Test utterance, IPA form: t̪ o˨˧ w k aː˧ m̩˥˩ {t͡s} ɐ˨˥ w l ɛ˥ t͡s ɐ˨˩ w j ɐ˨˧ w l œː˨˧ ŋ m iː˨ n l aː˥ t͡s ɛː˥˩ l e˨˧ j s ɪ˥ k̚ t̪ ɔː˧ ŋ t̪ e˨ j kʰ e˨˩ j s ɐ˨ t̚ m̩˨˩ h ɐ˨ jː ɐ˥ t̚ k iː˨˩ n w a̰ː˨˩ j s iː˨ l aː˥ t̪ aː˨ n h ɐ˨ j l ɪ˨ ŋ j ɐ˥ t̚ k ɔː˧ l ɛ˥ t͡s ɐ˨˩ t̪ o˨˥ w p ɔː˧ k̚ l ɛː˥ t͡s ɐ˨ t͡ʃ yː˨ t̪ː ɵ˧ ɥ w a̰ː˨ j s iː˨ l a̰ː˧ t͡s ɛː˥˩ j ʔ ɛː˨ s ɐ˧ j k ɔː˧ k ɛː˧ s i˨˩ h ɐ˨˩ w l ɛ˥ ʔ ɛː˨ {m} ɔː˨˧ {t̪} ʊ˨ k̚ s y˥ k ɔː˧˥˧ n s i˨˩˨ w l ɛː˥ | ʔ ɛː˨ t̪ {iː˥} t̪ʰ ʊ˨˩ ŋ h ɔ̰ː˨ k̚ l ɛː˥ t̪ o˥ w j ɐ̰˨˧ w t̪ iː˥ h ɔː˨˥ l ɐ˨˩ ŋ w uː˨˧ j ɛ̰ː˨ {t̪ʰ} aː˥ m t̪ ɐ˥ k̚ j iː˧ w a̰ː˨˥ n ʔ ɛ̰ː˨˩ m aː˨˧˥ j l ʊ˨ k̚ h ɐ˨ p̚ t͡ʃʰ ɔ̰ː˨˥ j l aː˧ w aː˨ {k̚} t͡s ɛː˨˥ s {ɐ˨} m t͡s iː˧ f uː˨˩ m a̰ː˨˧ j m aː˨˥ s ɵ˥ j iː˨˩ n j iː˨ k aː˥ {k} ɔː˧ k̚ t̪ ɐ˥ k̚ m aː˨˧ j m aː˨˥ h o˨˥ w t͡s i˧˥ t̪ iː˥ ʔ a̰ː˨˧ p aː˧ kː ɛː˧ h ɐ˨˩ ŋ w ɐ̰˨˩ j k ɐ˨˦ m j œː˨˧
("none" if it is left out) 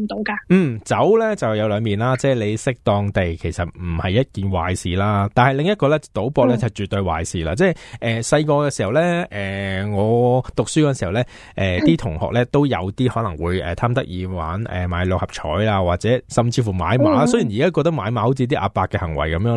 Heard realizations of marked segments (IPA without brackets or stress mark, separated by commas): t͡s, ŋ, t̪, iː˥, t̪ʰ, t̚, ɐ˨, k